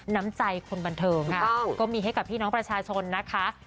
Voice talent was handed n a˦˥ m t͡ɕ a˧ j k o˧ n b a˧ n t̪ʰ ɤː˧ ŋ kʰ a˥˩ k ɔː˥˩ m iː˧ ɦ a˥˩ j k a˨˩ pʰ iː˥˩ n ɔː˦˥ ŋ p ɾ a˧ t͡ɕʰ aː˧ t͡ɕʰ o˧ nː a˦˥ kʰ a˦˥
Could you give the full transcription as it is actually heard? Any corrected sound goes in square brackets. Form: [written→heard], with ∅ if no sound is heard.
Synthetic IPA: n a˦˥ m t͡ɕ a˧ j [k→kʰ] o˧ n b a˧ n t̪ʰ ɤː˧ ŋ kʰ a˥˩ k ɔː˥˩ m iː˧ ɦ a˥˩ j k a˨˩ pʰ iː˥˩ n ɔː˦˥ ŋ p ɾ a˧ t͡ɕʰ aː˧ t͡ɕʰ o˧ nː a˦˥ kʰ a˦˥